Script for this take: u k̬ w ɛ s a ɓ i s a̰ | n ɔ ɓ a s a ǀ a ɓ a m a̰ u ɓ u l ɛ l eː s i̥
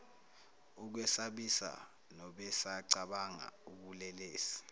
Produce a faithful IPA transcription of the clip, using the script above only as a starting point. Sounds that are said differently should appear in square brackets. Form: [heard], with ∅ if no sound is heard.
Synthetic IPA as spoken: u k̬ w ɛ s a ɓ i s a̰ | n ɔ ɓ [ɛ] s a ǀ a ɓ a [ŋ] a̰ u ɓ u l ɛ l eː s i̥